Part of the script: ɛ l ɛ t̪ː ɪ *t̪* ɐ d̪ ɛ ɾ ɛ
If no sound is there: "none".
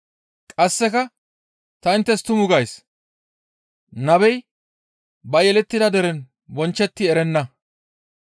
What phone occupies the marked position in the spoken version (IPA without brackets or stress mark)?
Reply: d̪